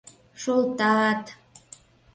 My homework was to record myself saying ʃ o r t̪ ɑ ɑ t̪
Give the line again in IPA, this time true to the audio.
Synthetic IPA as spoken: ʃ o l t̪ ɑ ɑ t̪